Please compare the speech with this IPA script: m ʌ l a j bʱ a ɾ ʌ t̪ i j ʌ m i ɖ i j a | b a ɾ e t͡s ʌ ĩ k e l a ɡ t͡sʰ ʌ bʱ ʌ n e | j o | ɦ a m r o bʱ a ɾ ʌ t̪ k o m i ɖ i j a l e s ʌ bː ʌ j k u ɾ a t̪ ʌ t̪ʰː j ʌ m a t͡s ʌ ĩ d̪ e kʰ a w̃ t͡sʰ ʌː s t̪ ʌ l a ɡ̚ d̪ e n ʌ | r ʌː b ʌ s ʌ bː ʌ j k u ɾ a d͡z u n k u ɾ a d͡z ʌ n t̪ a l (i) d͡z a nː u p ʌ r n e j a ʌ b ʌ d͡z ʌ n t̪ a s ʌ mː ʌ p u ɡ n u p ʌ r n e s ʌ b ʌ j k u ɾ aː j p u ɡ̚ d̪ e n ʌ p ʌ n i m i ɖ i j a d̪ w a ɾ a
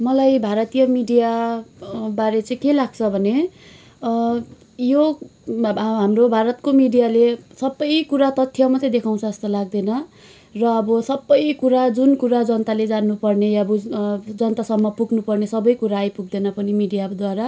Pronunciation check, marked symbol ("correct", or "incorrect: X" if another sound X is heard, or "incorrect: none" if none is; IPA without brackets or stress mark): incorrect: e